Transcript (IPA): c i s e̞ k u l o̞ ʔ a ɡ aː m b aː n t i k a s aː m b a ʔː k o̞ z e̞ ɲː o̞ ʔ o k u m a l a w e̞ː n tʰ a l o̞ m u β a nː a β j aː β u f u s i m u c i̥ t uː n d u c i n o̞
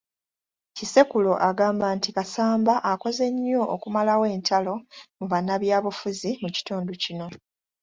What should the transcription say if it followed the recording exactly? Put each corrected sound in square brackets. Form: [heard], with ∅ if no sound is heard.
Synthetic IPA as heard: c i s e̞ k u l o̞ ʔ a ɡ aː m b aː n t i k a s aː m b a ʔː k o̞ z e̞ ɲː o̞ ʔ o k u m a l a w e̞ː n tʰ a l o̞ m u β a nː a β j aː β u f u [z] i m u c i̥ t uː n d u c i n o̞